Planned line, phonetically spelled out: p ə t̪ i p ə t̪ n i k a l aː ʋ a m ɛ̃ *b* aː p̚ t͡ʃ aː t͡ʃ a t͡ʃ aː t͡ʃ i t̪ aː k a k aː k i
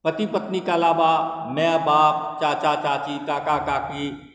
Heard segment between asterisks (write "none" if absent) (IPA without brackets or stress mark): b